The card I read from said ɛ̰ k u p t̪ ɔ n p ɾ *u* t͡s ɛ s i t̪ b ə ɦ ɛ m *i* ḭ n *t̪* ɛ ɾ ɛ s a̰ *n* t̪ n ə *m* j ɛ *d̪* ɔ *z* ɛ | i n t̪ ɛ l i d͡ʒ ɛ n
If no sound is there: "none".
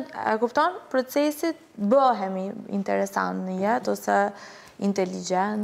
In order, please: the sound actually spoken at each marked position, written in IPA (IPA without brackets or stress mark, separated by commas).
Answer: ɔ, i, t̪, n, none, t̪, s